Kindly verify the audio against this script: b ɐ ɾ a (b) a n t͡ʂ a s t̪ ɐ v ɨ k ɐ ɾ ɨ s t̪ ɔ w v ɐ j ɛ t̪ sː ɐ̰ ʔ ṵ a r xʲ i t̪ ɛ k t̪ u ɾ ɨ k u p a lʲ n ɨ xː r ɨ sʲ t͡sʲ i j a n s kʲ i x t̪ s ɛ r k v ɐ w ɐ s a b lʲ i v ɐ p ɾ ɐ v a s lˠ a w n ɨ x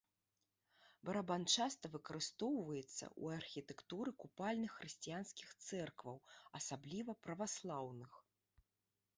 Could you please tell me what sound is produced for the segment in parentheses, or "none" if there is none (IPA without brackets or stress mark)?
b